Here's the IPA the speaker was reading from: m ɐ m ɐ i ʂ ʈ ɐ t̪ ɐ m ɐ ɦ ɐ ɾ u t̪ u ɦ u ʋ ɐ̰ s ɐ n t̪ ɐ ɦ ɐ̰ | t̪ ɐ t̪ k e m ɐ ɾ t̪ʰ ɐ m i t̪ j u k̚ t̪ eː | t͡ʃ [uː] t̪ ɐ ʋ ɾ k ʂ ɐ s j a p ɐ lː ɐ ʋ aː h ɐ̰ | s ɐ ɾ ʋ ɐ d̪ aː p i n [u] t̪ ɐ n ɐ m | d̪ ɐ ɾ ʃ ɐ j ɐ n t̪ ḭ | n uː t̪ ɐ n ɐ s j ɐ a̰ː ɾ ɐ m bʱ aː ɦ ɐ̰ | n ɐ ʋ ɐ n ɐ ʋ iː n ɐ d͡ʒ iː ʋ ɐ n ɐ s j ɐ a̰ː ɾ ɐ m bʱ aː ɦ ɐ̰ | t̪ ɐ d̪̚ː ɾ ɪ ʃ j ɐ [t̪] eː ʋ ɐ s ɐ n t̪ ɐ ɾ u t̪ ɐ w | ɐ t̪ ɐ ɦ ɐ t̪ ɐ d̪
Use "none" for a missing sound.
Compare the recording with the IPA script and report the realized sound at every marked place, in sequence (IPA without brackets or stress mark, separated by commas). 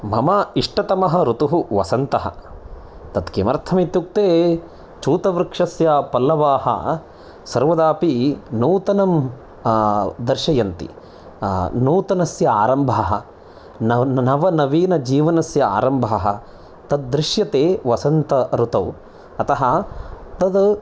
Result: uː, uː, t̪